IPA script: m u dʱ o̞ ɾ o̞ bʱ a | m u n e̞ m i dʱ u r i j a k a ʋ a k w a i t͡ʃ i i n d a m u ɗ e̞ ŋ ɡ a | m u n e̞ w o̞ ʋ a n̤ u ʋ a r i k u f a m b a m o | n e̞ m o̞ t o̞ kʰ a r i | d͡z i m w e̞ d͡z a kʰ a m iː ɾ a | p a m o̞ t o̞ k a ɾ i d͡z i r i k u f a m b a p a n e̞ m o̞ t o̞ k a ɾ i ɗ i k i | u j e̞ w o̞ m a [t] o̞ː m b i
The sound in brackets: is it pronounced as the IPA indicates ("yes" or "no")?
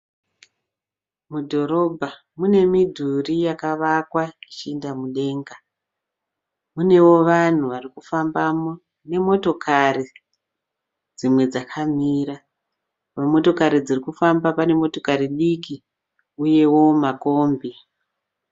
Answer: no